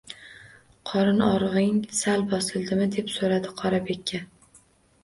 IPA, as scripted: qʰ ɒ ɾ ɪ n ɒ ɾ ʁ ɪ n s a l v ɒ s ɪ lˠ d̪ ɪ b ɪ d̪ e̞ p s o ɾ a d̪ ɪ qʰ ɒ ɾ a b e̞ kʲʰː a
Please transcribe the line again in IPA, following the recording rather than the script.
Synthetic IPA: qʰ ɒ ɾ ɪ n ɒ ɾ ʁ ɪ ŋ s a l b ɒ s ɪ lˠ d̪ ɪ m ɪ d̪ e̞ p s o ɾ a d̪ ɪ qʰ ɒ ɾ a b e̞ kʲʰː a

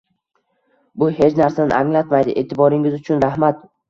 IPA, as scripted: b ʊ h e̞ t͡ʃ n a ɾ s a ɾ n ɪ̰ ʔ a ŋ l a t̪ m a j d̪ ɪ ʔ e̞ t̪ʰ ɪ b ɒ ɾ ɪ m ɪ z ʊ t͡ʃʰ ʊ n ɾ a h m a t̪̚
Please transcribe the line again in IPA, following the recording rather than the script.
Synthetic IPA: b ʊ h e̞ t͡ʃ n a ɾ s a n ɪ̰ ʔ a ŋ l a t̪ m a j d̪ ɪ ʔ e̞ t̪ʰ ɪ b ɒ ɾ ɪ ŋ ɪ z ʊ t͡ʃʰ ʊ n ɾ a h m a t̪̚

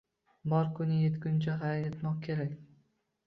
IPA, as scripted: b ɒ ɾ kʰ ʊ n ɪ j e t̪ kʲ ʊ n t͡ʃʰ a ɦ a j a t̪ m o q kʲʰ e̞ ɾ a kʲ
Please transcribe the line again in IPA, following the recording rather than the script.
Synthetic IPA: b ɒ ɾ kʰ ʊ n ɪ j e t̪ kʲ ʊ n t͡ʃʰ a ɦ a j e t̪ m ɒ q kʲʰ e̞ ɾ a kʲ

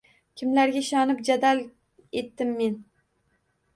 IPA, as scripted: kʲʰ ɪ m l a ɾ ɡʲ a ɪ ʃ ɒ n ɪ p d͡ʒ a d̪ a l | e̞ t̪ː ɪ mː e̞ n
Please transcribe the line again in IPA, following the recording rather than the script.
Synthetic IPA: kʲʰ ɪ m l a ɾ ɡʲ a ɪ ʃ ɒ n ɪ p d͡ʒ a d̪ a l | e̞ t̪ː ɪ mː e̞ n

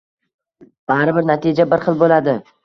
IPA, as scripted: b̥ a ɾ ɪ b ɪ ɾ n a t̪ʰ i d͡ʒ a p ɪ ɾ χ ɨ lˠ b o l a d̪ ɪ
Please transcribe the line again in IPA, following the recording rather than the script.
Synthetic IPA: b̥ a ɾ ɪ b ɪ ɾ n a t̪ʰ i d͡ʒ a b ɪ ɾ χ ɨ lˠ b o l a d̪ ɪ

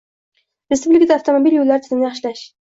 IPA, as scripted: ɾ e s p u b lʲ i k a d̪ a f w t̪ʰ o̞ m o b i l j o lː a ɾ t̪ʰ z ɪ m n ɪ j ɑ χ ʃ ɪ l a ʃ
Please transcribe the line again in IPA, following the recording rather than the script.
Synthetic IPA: ɾ e s p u b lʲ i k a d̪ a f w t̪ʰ o̞ m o b i l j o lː a ɾ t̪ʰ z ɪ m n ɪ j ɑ χ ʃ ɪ l a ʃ

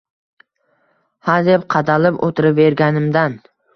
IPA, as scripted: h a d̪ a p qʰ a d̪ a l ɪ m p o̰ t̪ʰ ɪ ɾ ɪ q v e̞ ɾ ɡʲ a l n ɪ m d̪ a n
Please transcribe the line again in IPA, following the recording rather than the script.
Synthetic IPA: h a d̪ e p qʰ ɑ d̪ a l ɪ p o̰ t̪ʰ ɪ ɾ ɪ p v e̞ ɾ ɡʲ a n ɪ m d̪ a n

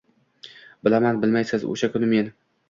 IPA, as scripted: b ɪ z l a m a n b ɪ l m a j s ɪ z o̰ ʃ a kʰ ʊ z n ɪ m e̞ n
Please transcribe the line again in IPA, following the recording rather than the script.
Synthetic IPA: b ɪ l a m a n b ɪ l m a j s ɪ z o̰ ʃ a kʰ ʊ n ɪ m e̞ n

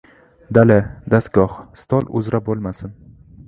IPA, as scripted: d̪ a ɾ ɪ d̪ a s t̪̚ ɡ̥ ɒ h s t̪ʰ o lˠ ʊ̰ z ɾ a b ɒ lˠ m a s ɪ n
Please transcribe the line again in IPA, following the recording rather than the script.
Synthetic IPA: d̪ a l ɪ d̪ a s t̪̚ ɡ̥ ɒ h s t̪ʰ ɒ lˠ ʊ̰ z ɾ a b o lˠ m a s ɪ n

